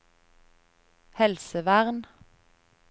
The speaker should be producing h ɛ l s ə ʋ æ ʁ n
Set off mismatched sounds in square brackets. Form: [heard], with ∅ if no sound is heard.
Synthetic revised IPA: h ɛ l s ə ʋ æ ʁ n